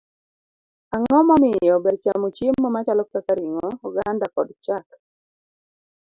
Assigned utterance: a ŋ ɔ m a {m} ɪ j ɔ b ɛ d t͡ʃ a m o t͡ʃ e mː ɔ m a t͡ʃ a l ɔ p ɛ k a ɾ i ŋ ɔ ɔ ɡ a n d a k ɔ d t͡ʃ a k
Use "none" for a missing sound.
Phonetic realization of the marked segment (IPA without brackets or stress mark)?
m